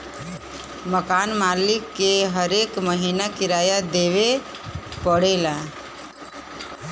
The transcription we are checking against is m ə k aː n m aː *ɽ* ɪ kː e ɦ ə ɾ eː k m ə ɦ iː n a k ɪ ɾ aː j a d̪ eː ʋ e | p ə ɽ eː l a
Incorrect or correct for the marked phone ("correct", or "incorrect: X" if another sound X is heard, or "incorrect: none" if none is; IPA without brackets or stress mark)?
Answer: incorrect: l